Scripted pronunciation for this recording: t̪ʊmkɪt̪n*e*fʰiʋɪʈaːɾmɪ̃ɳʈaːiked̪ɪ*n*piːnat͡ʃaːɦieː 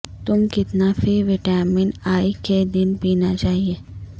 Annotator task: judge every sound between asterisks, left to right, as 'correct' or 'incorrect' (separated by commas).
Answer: incorrect, correct